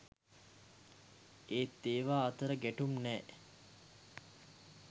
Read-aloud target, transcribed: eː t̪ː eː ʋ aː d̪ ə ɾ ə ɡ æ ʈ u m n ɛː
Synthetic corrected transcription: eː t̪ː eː ʋ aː t̪ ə ɾ ə ɡ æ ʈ u m n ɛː